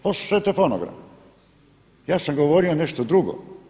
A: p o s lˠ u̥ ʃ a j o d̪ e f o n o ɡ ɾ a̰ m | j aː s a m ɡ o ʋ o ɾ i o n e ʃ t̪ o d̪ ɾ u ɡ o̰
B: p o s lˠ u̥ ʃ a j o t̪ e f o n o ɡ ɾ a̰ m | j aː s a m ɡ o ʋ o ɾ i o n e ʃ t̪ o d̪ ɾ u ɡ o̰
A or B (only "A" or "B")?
B